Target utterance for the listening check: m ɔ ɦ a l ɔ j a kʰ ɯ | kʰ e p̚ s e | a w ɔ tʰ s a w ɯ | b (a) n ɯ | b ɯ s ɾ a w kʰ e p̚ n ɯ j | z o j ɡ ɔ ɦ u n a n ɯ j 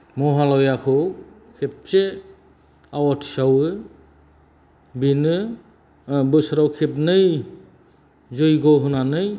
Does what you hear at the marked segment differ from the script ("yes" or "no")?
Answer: yes